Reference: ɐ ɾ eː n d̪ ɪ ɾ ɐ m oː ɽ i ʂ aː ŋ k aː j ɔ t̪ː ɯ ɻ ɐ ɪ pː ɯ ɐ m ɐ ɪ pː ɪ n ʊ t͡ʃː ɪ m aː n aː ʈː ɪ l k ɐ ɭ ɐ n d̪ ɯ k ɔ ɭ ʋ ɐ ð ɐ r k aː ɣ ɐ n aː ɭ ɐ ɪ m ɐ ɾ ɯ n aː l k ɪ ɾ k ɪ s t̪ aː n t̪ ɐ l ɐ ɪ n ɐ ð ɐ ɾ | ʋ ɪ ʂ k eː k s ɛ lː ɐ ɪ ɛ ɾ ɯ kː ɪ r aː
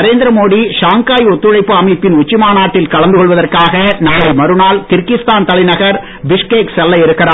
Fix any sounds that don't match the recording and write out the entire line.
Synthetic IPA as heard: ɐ ɾ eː n d̪ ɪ ɾ ɐ m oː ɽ i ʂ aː ŋ k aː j ɔ t̪ː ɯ ɻ ɐ ɪ pː ɯ ɐ m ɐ ɪ pː ɪ n ʊ t͡ʃː ɪ m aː n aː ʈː ɪ l k ɐ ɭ ɐ n d̪ ɯ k ɔ ɭ ʋ ɐ ð ɐ r k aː ɣ ɐ n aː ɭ ɐ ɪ m ɐ ɾ ɯ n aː l k ɪ ɾ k ɪ s t̪ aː n t̪ ɐ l ɐ ɪ n ɐ ɣ ɐ ɾ | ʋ ɪ ʂ k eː k s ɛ lː ɐ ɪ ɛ ɾ ɯ kː ɪ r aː

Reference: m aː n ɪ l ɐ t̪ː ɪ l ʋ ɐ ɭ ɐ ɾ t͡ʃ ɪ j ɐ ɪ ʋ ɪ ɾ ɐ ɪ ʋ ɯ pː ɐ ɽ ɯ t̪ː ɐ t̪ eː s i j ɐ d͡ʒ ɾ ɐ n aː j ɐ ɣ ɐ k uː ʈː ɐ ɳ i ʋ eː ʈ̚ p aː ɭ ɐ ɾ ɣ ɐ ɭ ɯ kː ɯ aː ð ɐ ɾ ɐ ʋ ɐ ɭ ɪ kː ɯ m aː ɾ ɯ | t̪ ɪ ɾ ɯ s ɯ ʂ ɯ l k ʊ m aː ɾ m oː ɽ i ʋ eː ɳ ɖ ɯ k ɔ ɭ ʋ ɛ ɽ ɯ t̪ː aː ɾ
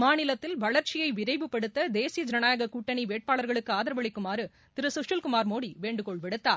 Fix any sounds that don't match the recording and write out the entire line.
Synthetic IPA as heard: m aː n ɪ l ɐ t̪ː ɪ l ʋ ɐ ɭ ɐ ɾ t͡ʃ ɪ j ɐ ɪ ʋ ɪ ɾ ɐ ɪ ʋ ɯ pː ɐ ɽ ɯ t̪ː ɐ d̪ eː s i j ɐ d͡ʒ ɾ ɐ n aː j ɐ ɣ ɐ k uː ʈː ɐ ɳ i ʋ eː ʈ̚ p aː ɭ ɐ ɾ ɣ ɐ ɭ ɯ kː ɯ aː ð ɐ ɾ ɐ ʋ ɐ ɭ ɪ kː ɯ m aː ɾ ɯ | t̪ ɪ ɾ ɯ s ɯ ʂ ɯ l k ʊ m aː ɾ m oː ɽ i ʋ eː ɳ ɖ ɯ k ɔ ɭ ʋ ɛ ɽ ɯ t̪ː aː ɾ

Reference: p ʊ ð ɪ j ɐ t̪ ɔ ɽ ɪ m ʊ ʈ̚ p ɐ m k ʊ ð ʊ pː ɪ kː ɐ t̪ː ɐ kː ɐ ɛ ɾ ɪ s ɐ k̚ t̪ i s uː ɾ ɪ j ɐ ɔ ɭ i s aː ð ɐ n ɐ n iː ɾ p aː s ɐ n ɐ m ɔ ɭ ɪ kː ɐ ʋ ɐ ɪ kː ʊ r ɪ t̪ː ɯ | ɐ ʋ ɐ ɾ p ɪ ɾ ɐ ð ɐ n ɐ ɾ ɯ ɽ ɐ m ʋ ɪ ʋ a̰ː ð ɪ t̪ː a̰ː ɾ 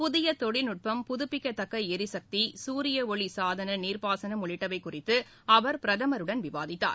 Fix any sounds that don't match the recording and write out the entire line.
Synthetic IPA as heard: p ʊ ð ɪ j ɐ t̪ ɔ ɽ ɪ n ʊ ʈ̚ p ɐ m p ʊ ð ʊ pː ɪ kː ɐ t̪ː ɐ kː ɐ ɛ ɾ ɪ s ɐ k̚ t̪ i s uː ɾ ɪ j ɐ ɔ ɭ i s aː ð ɐ n ɐ n iː ɾ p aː s ɐ n ɐ m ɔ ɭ ɪ ʈː ɐ ʋ ɐ ɪ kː ʊ r ɪ t̪ː ɯ | ɐ ʋ ɐ ɾ p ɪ ɾ ɐ ð ɐ m ɐ ɾ ɯ ɽ ɐ n ʋ ɪ ʋ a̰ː ð ɪ t̪ː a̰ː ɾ

